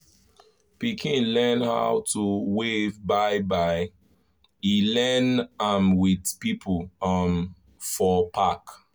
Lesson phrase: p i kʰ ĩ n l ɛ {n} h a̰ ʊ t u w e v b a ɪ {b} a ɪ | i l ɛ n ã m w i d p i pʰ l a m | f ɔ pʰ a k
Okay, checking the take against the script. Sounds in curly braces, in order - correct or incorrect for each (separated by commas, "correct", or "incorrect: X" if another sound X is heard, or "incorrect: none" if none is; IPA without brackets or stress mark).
correct, correct